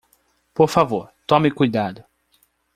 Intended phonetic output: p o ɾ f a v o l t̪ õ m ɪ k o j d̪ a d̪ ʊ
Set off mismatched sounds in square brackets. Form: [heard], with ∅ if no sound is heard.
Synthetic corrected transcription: p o ɾ f a v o [ɾ] t̪ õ m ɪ k [u] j d̪ a d̪ ʊ

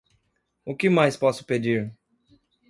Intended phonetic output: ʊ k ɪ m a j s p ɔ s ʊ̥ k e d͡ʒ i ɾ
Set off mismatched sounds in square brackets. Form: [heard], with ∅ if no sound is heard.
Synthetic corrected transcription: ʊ k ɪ m a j s p ɔ s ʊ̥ [p] e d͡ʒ i ɾ

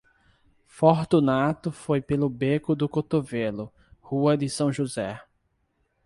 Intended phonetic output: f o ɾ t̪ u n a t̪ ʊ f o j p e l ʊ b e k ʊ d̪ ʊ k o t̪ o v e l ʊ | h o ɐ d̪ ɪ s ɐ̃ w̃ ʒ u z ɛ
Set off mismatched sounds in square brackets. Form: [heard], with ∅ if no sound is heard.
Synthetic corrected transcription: f o ɾ t̪ u n a t̪ ʊ f o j p e l ʊ b e k ʊ d̪ ʊ k o t̪ o v e l ʊ | h [u] ɐ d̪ ɪ s ɐ̃ w̃ ʒ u z ɛ

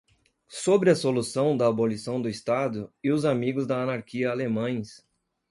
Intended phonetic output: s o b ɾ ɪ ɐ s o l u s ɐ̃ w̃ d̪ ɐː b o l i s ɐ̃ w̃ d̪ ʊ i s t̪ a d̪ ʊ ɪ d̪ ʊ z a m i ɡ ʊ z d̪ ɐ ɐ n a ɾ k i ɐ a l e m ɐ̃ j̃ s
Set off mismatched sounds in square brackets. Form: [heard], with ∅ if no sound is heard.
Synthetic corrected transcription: s o b ɾ ɪ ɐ s o l u s ɐ̃ w̃ d̪ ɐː b o l i s ɐ̃ w̃ d̪ ʊ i s t̪ a d̪ ʊ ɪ [∅] ʊ z a m i ɡ ʊ z d̪ ɐ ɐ n a ɾ k i ɐ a l e m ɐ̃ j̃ s

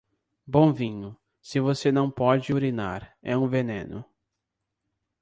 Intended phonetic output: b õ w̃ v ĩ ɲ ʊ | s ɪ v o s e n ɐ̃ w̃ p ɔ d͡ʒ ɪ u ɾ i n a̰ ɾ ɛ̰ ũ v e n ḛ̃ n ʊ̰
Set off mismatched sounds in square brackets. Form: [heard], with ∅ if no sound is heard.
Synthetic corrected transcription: b õ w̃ v ĩ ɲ ʊ | s ɪ v o s e n ɐ̃ w̃ p ɔ d͡ʒ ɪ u ɾ i n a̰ ɾ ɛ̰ ũ v e n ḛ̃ n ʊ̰

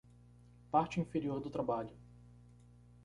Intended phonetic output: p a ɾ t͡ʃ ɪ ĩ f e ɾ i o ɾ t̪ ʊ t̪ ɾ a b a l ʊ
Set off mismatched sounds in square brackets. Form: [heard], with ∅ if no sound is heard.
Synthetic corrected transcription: p a ɾ t͡ʃ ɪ ĩ f e ɾ i o ɾ [d̪] ʊ t̪ ɾ a b a [ʎ] ʊ

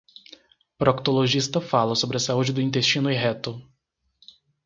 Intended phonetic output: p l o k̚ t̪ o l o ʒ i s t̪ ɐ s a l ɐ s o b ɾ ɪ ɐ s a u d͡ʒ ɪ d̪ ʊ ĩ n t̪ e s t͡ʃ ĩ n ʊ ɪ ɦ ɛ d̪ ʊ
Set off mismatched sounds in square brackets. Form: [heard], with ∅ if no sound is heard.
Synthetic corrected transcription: p [ɾ] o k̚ t̪ o l o ʒ i s t̪ ɐ [f] a l ɐ s o b ɾ ɪ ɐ s a u d͡ʒ ɪ d̪ ʊ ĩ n t̪ e s t͡ʃ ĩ n ʊ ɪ ɦ ɛ [t̪] ʊ

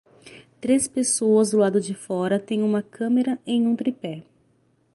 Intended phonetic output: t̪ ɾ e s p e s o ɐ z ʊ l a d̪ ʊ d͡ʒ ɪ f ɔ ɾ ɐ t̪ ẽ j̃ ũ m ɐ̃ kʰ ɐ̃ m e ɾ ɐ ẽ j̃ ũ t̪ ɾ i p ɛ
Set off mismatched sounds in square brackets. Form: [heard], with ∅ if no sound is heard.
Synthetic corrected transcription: t̪ ɾ e s p e s o ɐ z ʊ l a d̪ ʊ d͡ʒ ɪ f ɔ ɾ ɐ t̪ ẽ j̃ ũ m [ɐ] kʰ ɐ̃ m e ɾ ɐ ẽ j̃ ũ t̪ ɾ i p ɛ

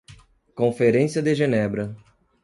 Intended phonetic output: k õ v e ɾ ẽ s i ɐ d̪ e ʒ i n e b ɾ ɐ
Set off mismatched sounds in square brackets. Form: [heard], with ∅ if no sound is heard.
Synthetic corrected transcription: k õ [f] e ɾ ẽ s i ɐ d̪ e ʒ [e] n [ɛ] b ɾ ɐ

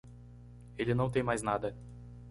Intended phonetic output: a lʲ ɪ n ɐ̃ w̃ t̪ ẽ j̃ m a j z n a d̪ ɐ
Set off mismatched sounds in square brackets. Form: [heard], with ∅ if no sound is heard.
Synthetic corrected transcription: [e] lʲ ɪ n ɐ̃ w̃ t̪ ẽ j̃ m a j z n a d̪ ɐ

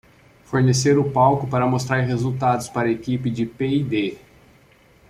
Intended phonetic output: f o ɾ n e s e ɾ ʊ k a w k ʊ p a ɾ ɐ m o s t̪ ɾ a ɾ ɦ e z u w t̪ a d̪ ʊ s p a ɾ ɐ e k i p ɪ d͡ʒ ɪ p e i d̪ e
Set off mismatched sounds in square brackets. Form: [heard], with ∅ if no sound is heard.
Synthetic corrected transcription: f o ɾ n e s e ɾ ʊ [p] a w k ʊ p a ɾ ɐ m o s t̪ ɾ a ɾ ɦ e z u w t̪ a d̪ ʊ s p a ɾ ɐ e k i p ɪ d͡ʒ ɪ p e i d̪ e

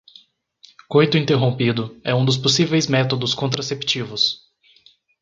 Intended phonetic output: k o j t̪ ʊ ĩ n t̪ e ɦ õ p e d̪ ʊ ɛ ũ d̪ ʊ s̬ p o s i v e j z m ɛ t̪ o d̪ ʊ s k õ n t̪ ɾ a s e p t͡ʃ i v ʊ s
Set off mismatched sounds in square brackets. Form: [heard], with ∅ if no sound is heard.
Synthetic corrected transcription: k o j t̪ ʊ ĩ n t̪ e ɦ õ p [i] d̪ ʊ ɛ ũ d̪ ʊ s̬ p o s i v e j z m ɛ t̪ o d̪ ʊ s k õ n t̪ ɾ a s e p t͡ʃ i v ʊ s

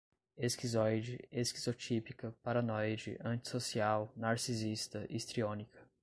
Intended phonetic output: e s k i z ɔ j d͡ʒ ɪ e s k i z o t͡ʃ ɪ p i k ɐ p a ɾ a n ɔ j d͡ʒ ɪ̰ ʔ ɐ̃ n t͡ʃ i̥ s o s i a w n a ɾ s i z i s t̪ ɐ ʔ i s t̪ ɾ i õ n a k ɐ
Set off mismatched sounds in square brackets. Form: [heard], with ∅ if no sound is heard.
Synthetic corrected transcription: e s k i z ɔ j d͡ʒ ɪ e s k i z o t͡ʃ [i] p i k ɐ p a ɾ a n ɔ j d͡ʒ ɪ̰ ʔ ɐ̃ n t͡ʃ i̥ s o s i a w n a ɾ s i z i s t̪ ɐ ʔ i s t̪ ɾ i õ n [i] k ɐ

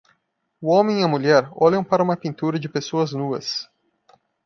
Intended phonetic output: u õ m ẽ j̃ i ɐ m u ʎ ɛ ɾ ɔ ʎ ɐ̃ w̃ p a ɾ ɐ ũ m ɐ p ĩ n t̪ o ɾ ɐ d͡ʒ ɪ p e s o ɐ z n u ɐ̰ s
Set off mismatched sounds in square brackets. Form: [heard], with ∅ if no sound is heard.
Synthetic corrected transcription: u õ m ẽ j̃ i ɐ m u ʎ ɛ ɾ ɔ ʎ ɐ̃ w̃ p a ɾ ɐ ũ m ɐ p ĩ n t̪ [u] ɾ ɐ d͡ʒ ɪ p e s o ɐ z n u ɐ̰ s

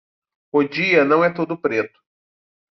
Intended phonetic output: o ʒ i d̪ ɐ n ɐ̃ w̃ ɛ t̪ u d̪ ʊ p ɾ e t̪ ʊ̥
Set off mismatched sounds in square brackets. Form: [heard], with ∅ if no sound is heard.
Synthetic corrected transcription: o [d͡ʒ] i [∅] ɐ n ɐ̃ w̃ ɛ t̪ [o] d̪ ʊ p ɾ e t̪ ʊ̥

